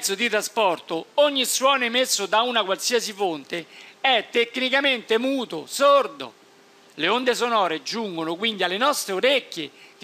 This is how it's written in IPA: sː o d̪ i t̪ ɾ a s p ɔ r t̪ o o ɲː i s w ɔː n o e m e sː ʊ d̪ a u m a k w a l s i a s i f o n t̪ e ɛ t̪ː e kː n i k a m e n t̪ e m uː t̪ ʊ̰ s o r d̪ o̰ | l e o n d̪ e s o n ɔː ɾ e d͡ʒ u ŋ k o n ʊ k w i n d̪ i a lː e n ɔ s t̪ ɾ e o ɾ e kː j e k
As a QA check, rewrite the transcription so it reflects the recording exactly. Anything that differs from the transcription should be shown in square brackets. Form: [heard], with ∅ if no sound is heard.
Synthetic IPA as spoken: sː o d̪ i t̪ ɾ a s p ɔ r t̪ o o ɲː i s w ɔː n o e m e sː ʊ d̪ a u [n] a k w a l s i a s i f o n t̪ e ɛ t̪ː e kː n i k a m e n t̪ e m uː t̪ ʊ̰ s o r d̪ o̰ | l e o n d̪ e s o n ɔː ɾ e d͡ʒ u ŋ [ɡ] o n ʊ k w i n d̪ i a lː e n ɔ s t̪ ɾ e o ɾ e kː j e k

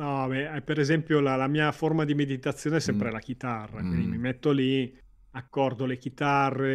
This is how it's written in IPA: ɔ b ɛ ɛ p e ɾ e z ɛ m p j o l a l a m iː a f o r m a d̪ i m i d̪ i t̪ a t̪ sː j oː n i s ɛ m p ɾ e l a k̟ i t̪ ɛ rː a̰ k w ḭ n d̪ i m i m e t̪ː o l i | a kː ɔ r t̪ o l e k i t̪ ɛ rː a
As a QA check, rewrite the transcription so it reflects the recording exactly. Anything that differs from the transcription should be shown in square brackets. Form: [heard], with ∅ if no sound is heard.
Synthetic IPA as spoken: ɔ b ɛ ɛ p e ɾ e z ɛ m p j o l a l a m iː a f o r m a d̪ i m [e] d̪ i t̪ a t̪ sː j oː n [e] s ɛ m p ɾ e l a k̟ i t̪ [a] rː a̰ k w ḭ n d̪ i m i m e t̪ː o l i | a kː ɔ r [d̪] o l e k i t̪ [a] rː [e]

